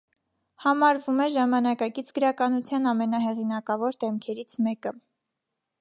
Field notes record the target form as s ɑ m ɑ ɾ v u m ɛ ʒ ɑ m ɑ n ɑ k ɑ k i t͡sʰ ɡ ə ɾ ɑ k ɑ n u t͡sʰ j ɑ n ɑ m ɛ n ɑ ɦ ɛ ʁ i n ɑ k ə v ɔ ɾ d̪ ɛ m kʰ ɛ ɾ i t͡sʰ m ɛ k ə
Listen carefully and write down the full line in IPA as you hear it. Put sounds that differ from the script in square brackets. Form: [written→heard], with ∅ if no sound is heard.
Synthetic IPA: [s→h] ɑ m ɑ ɾ v u m ɛ ʒ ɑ m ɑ n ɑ k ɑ k i t͡sʰ ɡ ə ɾ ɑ k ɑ n u t͡sʰ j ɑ n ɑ m ɛ n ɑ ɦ ɛ ʁ i n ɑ k [ə→ɑ] v ɔ ɾ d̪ ɛ m kʰ ɛ ɾ i t͡sʰ m ɛ k ə